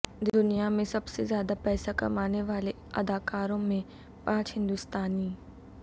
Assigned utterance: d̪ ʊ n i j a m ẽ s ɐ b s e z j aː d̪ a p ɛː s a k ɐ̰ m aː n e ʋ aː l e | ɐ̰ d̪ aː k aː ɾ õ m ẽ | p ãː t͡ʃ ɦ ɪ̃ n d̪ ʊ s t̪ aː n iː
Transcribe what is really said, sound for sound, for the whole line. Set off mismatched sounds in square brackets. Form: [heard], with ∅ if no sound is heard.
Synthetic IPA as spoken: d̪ ʊ n i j a m ẽ s ɐ b s e z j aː d̪ a p ɛː s a k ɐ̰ m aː n e ʋ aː l e | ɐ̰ d̪ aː k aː ɾ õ m ẽ | p ãː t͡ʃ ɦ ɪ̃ n d̪ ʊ s t̪ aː n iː